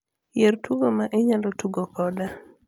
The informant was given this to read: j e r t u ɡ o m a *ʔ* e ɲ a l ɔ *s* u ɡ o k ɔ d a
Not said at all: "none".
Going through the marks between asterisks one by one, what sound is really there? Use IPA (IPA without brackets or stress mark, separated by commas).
ʔ, t